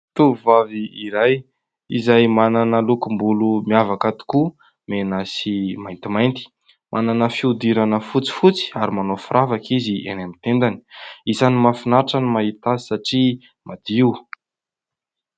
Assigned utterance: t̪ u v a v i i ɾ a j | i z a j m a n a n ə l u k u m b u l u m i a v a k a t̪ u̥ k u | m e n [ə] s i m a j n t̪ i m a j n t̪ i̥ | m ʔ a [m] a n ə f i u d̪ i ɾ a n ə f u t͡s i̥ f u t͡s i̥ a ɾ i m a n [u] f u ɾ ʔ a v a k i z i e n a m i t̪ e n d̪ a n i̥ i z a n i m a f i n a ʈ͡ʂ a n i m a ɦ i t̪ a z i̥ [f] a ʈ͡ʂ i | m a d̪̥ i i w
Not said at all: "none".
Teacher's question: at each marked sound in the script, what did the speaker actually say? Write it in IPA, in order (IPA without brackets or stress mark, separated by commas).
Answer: a, n, o, s